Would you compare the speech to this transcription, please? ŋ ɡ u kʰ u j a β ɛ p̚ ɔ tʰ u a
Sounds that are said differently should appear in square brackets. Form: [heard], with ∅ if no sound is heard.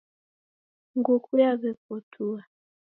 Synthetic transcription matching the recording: ŋ ɡ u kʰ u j a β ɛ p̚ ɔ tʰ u a